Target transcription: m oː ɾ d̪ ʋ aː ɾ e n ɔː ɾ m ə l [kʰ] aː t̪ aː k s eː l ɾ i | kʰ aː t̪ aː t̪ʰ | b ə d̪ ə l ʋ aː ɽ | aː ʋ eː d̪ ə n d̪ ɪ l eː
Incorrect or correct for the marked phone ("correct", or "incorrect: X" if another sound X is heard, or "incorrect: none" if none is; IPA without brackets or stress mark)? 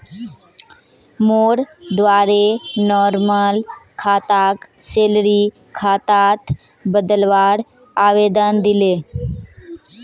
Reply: correct